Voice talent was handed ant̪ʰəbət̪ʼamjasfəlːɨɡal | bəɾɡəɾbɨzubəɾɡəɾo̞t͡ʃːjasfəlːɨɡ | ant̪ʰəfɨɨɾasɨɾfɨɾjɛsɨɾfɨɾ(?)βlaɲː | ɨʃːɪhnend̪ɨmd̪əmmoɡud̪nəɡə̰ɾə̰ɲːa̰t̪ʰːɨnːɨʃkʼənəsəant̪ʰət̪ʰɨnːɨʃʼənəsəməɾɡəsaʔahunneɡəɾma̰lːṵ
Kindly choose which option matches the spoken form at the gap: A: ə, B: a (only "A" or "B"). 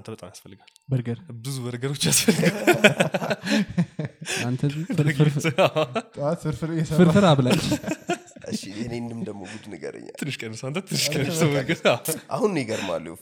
B